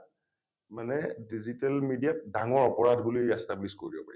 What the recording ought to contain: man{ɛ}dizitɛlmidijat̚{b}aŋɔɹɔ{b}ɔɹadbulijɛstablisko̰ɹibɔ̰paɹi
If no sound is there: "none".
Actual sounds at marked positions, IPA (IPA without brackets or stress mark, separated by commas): ɛ, d, p